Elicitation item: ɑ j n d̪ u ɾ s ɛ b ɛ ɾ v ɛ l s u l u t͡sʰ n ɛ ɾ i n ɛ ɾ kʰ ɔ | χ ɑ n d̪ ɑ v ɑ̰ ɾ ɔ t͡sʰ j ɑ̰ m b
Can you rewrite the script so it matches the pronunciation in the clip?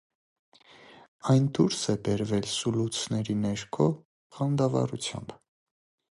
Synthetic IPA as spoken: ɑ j n d̪ u ɾ s ɛ b ɛ ɾ v ɛ l s u l u t͡sʰ n ɛ ɾ i n ɛ ɾ kʰ ɔ | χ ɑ n d̪ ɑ v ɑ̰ ɾ u t͡sʰ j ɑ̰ m b